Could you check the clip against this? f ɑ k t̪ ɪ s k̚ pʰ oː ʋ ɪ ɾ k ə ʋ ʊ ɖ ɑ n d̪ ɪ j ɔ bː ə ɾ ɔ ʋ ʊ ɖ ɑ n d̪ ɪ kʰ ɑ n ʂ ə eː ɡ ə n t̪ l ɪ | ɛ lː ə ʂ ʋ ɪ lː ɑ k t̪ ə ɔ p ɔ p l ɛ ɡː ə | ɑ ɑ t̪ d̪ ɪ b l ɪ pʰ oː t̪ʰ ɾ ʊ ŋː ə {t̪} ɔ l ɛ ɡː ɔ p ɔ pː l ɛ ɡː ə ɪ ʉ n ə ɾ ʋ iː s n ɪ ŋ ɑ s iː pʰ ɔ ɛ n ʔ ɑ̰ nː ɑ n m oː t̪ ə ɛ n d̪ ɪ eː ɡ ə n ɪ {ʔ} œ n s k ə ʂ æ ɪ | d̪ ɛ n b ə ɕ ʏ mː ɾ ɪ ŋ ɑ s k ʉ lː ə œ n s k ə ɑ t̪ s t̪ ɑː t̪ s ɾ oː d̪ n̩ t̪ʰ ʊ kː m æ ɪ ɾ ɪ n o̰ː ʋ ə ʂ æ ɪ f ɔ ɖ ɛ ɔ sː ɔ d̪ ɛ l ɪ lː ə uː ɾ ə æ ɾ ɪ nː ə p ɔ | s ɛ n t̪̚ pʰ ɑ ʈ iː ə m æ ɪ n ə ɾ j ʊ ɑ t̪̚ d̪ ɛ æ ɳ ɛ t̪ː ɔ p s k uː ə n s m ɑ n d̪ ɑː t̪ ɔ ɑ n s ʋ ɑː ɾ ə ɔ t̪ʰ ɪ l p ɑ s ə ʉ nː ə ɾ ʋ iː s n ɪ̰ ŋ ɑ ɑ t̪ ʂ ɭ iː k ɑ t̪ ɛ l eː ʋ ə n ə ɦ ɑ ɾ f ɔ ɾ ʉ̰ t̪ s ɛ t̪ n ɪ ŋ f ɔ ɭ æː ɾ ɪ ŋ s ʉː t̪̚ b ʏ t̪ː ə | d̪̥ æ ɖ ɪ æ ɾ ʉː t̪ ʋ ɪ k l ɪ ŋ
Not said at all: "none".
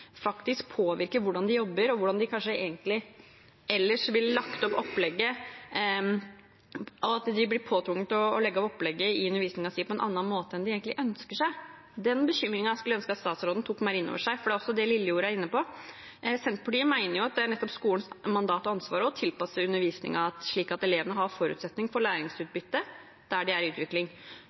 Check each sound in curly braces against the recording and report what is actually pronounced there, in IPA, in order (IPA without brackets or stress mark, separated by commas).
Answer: t̪, ʔ